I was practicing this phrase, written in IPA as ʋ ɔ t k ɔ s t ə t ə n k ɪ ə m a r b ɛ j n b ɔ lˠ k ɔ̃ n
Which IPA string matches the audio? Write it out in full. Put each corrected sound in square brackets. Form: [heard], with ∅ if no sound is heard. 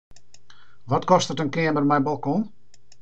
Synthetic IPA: ʋ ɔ t k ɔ s t ə t ə n k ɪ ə m [ə] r [m] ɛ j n b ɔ lˠ k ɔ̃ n